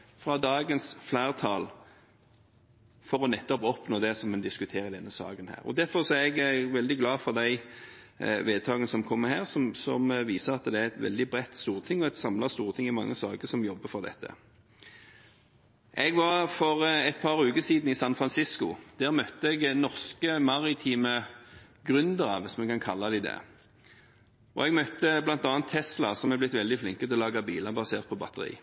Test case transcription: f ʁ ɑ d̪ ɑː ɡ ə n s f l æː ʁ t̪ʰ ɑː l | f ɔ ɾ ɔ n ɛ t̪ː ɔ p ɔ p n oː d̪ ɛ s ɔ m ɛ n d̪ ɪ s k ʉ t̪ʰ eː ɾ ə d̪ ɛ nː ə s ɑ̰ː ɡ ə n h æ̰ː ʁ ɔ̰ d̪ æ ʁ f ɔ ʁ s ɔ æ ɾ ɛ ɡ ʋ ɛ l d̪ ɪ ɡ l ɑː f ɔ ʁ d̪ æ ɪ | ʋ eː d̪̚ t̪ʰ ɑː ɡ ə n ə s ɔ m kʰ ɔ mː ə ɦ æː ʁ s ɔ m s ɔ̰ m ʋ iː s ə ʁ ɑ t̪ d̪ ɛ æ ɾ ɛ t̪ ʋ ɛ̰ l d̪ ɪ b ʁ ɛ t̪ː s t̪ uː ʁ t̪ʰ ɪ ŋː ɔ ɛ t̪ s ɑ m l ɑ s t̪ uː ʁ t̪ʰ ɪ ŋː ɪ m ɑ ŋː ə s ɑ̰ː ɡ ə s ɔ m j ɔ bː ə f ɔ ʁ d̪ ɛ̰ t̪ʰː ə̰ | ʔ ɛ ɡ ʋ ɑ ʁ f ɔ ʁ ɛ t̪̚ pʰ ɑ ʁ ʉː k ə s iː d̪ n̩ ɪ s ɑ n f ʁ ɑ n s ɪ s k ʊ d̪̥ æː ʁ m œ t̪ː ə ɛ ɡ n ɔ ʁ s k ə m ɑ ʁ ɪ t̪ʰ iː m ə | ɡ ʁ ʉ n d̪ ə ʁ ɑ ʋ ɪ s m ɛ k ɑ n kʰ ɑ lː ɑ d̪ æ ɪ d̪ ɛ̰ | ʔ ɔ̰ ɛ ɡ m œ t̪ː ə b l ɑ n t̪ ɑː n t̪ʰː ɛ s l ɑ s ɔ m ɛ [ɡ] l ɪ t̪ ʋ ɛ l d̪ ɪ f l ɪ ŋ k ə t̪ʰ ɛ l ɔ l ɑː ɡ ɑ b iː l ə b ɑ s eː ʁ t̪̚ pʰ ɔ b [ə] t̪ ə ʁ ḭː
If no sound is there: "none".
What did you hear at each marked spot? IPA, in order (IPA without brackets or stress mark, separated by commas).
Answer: b, ɑ